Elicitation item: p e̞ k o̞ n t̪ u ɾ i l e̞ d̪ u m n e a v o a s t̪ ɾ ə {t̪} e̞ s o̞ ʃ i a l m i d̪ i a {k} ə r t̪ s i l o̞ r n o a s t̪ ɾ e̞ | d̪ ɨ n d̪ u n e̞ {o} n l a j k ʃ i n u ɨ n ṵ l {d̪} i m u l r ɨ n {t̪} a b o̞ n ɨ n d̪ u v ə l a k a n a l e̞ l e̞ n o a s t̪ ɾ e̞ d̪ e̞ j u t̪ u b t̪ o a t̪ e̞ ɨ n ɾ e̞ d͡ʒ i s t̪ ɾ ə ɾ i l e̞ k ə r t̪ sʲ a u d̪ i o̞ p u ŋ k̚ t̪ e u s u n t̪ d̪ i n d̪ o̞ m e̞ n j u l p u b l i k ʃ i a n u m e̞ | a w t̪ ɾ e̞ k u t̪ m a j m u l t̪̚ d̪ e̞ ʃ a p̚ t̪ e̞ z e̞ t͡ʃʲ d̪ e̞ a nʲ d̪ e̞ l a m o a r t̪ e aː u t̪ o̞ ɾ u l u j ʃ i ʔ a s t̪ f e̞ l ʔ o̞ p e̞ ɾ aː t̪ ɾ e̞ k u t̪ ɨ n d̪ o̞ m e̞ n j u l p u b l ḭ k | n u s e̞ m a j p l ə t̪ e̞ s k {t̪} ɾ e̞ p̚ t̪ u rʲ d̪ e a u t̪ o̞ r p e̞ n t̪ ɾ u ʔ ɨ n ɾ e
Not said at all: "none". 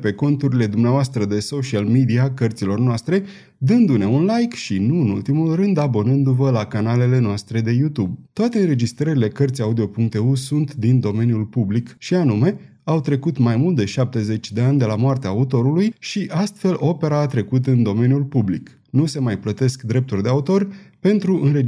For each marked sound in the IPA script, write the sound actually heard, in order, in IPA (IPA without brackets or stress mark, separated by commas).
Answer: d̪, k, u, t̪, d̪, d̪